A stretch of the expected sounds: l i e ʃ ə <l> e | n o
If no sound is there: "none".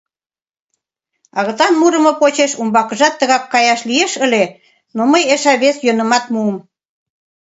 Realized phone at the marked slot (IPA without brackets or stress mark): l